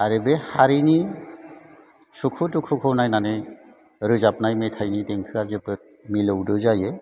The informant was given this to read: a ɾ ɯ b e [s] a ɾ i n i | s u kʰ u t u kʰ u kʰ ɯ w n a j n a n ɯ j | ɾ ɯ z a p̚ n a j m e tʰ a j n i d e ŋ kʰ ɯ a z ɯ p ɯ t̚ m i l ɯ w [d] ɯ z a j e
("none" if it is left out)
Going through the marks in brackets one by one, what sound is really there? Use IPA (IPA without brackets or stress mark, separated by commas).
h, d